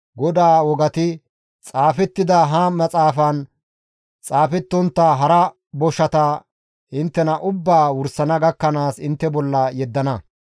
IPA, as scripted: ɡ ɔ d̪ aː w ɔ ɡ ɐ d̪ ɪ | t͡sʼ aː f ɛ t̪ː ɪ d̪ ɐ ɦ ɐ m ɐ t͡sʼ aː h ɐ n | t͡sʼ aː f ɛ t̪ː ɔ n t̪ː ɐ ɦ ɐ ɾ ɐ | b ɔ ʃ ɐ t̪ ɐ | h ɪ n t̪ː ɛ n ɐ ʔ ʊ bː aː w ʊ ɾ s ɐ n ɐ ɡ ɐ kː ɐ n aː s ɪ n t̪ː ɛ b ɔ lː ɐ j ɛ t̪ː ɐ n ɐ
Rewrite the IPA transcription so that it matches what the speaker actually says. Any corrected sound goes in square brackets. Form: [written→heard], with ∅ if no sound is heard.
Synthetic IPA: ɡ ɔ d̪ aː w ɔ ɡ ɐ [d̪→t̪] ɪ | t͡sʼ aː f ɛ t̪ː ɪ d̪ ɐ ɦ ɐ m ɐ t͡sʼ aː [h→f] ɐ n | t͡sʼ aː f ɛ t̪ː ɔ n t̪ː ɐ ɦ ɐ ɾ ɐ | b ɔ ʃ ɐ t̪ ɐ | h ɪ n t̪ː ɛ n ɐ ʔ ʊ bː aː w ʊ ɾ s ɐ n ɐ ɡ ɐ kː ɐ n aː s ɪ n t̪ː ɛ b ɔ lː ɐ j ɛ [t̪ː→d̪ː] ɐ n ɐ